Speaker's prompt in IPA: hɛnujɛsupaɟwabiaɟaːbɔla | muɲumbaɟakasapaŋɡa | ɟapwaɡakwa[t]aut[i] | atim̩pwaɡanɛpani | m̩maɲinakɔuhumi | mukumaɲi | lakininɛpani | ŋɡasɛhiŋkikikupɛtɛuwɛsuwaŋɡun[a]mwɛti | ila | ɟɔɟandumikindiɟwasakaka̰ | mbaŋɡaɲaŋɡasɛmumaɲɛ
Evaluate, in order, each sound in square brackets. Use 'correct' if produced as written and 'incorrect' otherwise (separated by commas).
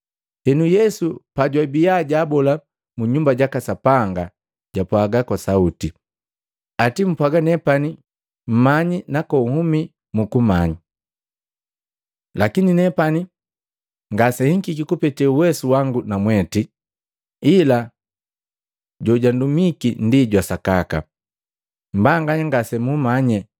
incorrect, correct, correct